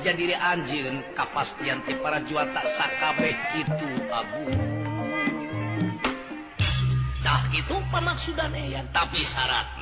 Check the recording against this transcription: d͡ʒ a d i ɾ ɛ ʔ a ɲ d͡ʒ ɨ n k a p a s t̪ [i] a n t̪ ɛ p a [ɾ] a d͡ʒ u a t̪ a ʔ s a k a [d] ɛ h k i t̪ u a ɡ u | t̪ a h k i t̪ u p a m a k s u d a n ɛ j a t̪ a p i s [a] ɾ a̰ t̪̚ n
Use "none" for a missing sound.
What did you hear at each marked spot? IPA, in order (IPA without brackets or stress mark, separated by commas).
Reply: i, ɾ, b, a